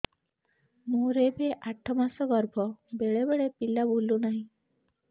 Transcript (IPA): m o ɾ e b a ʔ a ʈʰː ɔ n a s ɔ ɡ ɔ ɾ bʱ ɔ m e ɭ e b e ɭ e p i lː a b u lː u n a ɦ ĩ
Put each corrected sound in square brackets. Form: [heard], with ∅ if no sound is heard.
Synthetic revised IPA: m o ɾ e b [e] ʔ a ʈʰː ɔ [m] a s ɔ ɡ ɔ ɾ bʱ ɔ [b] e ɭ e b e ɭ e p i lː a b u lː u n a ɦ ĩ